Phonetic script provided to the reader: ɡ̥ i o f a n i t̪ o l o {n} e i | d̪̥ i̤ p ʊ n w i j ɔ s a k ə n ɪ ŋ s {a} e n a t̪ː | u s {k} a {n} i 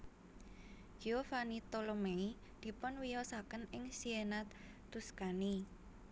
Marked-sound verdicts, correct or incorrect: incorrect, incorrect, correct, correct

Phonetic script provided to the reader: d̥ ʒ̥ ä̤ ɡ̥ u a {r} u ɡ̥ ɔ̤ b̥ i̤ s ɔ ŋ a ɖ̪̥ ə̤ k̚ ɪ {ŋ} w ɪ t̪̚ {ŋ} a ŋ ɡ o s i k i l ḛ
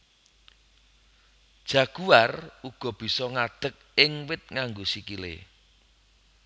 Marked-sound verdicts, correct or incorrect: correct, correct, correct

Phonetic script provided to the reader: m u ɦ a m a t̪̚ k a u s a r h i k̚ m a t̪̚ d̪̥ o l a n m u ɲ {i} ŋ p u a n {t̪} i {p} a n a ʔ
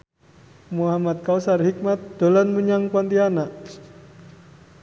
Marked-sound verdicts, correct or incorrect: incorrect, correct, incorrect

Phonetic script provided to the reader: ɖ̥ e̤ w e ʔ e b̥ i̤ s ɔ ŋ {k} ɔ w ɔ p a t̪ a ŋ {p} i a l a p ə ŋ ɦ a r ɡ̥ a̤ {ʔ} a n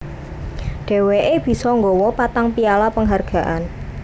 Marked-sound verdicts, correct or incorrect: incorrect, correct, correct

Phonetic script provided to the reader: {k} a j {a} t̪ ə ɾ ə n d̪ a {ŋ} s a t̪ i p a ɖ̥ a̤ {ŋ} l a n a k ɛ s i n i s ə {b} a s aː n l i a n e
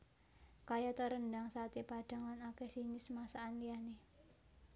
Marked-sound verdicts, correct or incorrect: correct, correct, correct, correct, incorrect

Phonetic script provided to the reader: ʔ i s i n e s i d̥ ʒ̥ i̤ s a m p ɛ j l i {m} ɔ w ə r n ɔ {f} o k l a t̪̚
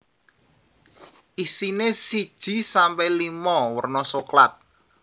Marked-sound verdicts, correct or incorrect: correct, incorrect

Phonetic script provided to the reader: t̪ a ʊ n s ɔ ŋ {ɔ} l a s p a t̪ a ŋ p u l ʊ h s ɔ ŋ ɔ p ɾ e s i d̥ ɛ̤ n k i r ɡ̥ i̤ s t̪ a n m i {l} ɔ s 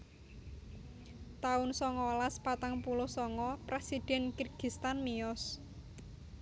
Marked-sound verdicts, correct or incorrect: correct, incorrect

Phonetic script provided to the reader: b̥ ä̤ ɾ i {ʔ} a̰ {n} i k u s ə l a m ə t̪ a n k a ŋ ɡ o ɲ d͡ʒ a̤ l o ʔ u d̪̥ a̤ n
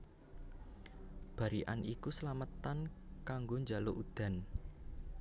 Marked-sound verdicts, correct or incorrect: correct, correct

